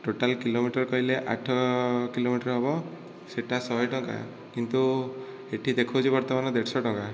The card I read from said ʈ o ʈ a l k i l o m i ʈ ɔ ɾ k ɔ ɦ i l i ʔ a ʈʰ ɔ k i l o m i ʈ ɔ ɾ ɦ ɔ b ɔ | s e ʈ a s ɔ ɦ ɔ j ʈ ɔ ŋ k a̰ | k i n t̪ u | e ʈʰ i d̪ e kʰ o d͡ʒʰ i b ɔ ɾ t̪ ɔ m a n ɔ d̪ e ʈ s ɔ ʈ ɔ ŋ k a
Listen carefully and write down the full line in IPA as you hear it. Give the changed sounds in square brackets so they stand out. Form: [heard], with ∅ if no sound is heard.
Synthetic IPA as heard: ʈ o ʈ a l k i l o m i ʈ ɔ ɾ k ɔ ɦ i l [e] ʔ a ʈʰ ɔ k i l o m i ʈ ɔ ɾ ɦ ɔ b ɔ | s e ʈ a s ɔ ɦ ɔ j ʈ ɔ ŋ k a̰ | k i n t̪ u | e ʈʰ i d̪ e kʰ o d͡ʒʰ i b ɔ ɾ t̪ ɔ m a n ɔ d̪ e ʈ s ɔ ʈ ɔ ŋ k a